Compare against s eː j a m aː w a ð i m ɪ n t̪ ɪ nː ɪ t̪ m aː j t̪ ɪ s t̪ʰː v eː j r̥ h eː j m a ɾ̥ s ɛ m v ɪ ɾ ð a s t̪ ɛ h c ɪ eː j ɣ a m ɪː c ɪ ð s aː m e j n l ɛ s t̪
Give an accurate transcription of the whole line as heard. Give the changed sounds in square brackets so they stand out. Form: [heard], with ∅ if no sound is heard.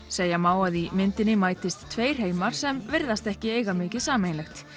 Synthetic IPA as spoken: s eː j a m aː w a ð i m ɪ n t̪ ɪ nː ɪ [∅] m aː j t̪ ɪ s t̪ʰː v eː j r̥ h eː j m a ɾ̥ s ɛ m v ɪ ɾ ð a s t̪ ɛ h c ɪ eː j ɣ a m ɪː c ɪ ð s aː m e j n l ɛ [x] t̪

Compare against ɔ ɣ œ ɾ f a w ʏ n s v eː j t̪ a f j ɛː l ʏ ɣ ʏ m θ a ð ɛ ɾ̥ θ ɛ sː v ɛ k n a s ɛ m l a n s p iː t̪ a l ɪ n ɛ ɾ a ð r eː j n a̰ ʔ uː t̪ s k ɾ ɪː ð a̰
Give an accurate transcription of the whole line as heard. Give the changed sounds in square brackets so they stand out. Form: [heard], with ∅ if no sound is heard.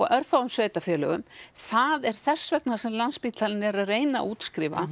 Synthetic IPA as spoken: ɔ ɣ œ ɾ f a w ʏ [m] s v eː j t̪ a f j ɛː l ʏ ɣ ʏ m θ a ð ɛ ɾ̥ θ ɛ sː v ɛ k n a s ɛ m l a n s p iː t̪ a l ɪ n ɛ ɾ a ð r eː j n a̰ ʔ uː t̪ s k ɾ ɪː [v] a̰

